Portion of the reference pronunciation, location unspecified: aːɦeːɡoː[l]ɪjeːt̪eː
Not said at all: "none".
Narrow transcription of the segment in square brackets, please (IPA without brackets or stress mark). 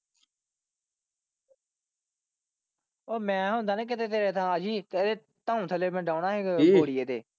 ɽ